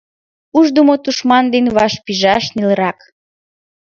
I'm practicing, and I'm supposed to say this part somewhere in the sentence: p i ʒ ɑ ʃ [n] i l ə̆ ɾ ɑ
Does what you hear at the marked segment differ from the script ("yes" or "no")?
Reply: no